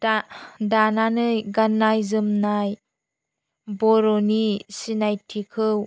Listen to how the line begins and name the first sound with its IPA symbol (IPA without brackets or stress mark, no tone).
d